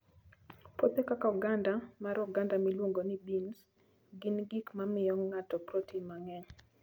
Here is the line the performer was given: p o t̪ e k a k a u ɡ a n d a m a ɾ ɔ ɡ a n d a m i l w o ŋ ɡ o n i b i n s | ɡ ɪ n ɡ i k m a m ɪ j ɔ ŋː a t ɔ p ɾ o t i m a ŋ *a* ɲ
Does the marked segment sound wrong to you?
yes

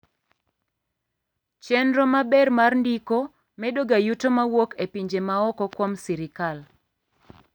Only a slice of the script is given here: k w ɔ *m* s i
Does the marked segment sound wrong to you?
no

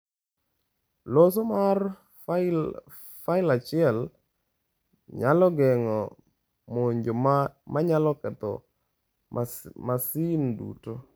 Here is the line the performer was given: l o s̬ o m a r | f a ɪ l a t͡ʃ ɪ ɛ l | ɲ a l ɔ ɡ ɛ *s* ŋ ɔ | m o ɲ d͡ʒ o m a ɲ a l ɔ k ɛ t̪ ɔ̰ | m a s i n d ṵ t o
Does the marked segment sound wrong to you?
yes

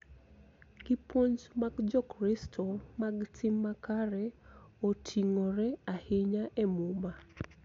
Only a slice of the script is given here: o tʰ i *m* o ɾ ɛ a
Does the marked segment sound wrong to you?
yes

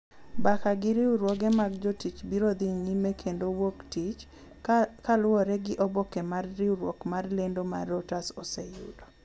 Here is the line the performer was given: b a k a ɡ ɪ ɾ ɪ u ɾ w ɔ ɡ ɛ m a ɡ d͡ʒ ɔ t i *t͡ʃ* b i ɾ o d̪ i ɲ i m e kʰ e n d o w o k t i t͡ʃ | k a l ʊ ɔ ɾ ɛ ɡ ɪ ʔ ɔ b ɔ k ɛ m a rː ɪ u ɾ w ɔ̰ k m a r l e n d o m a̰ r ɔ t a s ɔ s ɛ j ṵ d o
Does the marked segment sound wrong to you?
no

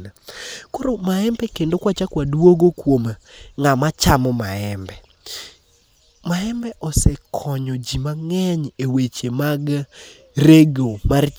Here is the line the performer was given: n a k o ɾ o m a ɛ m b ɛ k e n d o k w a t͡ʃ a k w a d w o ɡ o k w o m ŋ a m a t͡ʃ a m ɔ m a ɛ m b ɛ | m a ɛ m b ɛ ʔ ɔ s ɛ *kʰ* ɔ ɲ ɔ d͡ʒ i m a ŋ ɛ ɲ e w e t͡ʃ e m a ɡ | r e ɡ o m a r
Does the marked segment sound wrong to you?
no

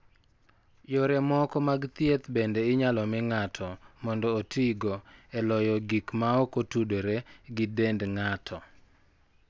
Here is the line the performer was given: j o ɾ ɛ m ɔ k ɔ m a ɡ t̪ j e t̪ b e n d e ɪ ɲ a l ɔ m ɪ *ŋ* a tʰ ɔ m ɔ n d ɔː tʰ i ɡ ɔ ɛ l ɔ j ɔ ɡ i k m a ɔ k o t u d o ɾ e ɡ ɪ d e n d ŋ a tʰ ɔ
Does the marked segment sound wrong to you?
no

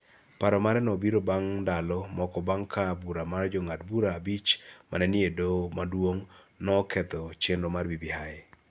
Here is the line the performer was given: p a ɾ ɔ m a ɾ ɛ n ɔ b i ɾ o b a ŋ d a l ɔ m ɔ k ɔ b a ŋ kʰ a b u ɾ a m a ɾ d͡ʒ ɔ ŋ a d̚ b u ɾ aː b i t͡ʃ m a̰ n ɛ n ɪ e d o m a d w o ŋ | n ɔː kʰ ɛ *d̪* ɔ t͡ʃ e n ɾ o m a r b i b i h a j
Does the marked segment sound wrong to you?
yes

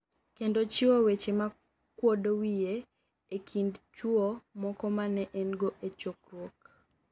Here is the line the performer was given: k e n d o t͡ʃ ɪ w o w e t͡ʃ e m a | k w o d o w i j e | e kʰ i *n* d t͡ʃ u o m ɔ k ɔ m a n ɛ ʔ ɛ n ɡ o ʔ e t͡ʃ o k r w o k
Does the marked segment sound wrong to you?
no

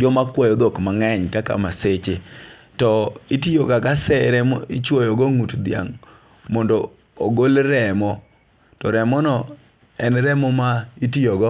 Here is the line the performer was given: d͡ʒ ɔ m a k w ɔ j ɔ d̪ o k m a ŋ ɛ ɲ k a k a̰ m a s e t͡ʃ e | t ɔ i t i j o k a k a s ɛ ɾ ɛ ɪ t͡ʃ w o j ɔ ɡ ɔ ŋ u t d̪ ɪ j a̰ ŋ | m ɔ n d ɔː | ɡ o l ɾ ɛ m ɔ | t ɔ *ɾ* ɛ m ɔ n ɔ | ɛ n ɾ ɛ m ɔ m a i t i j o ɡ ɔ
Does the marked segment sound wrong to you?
no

